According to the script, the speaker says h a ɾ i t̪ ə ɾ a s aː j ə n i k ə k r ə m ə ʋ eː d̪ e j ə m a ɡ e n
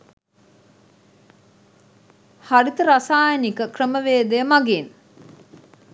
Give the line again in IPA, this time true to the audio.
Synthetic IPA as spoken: h a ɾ i t̪ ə ɾ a s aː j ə n i k ə k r ə m ə ʋ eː d̪ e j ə m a ɡ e n